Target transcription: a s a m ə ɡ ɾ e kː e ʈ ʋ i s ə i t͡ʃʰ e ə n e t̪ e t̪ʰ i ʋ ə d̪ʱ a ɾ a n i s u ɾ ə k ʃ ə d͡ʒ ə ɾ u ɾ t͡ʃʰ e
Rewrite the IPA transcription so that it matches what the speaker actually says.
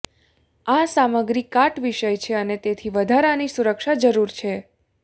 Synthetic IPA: a s a m ə ɡ ɾ i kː a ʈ ʋ i ʃ ə j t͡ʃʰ e ə n e t̪ e t̪ʰ i ʋ ə d̪ʱ a ɾ a n i s u ɾ ə k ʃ a d͡ʒ ə ɾ u ɾ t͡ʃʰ e